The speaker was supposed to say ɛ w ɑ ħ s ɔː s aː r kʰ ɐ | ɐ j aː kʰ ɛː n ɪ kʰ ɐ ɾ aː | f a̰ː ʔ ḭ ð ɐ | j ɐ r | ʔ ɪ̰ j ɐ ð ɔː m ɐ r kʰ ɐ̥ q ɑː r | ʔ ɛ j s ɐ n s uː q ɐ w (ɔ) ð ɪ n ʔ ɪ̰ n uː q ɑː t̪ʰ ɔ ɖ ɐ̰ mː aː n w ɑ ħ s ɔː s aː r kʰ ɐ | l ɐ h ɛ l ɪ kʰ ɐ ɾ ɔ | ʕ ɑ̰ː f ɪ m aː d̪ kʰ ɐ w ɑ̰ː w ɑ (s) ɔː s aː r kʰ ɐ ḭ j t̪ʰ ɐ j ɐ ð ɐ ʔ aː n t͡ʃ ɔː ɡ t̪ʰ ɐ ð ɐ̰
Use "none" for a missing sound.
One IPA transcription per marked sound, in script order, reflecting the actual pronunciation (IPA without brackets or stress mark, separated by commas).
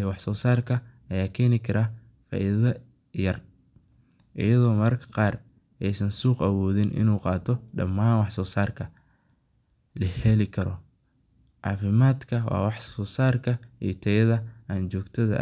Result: ɔː, ħ